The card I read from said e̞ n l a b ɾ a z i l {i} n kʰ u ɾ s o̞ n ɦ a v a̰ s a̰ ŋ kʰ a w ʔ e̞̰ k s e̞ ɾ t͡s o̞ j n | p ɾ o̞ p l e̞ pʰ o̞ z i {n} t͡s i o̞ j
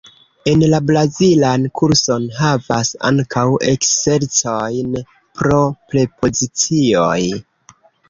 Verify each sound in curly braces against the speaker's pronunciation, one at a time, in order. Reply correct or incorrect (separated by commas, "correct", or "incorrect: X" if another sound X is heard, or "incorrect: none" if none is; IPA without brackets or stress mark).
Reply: incorrect: a, incorrect: none